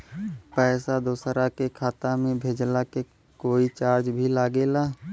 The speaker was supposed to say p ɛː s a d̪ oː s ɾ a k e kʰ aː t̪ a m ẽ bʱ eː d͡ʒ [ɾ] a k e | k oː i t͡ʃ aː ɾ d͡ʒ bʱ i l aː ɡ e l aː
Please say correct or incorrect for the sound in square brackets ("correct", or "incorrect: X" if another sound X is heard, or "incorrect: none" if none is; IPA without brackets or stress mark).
incorrect: l